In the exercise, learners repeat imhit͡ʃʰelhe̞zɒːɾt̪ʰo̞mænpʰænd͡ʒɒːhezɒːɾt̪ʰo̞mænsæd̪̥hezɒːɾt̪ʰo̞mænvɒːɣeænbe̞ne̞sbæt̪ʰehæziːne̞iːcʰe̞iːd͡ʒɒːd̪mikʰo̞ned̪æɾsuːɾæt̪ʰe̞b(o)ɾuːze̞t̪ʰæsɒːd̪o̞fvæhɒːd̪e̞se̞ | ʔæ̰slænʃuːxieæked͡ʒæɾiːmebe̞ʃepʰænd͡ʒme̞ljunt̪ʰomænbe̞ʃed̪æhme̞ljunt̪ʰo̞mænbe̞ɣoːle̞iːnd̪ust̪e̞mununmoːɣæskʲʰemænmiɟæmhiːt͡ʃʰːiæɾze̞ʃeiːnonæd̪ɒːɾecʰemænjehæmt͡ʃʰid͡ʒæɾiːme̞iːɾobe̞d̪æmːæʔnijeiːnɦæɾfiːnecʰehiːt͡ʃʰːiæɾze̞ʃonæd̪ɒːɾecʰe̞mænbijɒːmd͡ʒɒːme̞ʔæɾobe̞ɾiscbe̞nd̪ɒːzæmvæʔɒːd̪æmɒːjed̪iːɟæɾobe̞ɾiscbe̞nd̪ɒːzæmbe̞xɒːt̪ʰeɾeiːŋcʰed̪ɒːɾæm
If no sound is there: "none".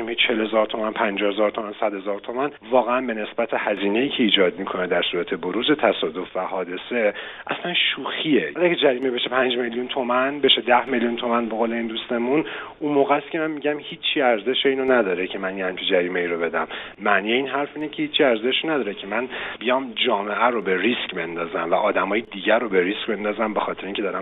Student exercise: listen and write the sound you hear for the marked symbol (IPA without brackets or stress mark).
o